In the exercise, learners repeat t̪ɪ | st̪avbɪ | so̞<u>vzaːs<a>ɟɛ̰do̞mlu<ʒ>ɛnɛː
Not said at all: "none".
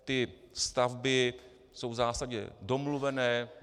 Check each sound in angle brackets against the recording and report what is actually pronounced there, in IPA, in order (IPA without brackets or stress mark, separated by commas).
w, a, v